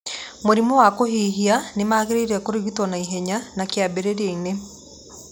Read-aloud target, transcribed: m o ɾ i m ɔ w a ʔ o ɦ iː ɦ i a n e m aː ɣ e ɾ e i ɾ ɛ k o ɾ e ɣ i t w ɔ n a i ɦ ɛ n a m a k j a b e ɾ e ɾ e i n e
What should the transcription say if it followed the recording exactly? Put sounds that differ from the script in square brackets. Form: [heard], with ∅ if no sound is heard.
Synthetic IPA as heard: m o ɾ i m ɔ w a [k] o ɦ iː ɦ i a n e m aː ɣ e ɾ e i ɾ ɛ k o ɾ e ɣ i t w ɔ n a i ɦ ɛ [ɲ] a [n] a k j a b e ɾ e ɾ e i n e